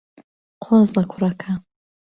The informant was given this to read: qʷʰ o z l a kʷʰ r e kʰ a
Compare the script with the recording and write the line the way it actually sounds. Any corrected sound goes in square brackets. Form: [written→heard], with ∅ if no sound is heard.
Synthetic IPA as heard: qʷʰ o z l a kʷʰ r [e→a] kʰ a